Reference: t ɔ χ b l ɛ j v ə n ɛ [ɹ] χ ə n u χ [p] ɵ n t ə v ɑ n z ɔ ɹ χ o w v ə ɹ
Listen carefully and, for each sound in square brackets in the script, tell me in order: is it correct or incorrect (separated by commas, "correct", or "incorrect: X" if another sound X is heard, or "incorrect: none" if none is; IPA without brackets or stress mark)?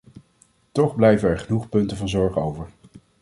correct, correct